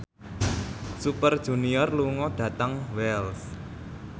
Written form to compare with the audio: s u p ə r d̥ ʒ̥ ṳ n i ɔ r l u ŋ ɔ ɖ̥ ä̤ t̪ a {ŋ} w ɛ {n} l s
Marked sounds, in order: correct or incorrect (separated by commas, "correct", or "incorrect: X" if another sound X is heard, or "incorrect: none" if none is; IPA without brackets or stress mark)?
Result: correct, incorrect: none